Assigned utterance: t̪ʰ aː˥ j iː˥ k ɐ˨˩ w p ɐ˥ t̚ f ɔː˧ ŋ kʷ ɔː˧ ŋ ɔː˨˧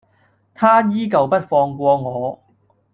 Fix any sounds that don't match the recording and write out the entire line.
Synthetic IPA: t̪ʰ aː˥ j iː˥ k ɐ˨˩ w p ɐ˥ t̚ f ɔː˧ ŋ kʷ ɔː˧ ŋ ɔː˨˧